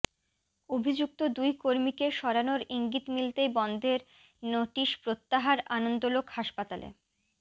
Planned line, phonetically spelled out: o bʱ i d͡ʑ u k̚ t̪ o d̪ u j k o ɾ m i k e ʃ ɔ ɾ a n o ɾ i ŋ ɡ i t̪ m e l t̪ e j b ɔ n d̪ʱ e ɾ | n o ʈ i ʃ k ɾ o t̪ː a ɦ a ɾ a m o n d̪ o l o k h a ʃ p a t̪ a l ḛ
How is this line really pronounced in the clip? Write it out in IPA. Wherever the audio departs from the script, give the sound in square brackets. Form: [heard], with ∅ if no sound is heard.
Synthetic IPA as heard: o bʱ i d͡ʑ u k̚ t̪ o d̪ u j k o ɾ m i k e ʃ ɔ ɾ a n o ɾ i ŋ ɡ i t̪ m [i] l t̪ e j b ɔ n d̪ʱ e ɾ | n o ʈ i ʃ [p] ɾ o t̪ː a ɦ a ɾ a [n] o n d̪ o l o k h a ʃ p a t̪ a l ḛ